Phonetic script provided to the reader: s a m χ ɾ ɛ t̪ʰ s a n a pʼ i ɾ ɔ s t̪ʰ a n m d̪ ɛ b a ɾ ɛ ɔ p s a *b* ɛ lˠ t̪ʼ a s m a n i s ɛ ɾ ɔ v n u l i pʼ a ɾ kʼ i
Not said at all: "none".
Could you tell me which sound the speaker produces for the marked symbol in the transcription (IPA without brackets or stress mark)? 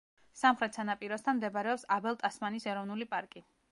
b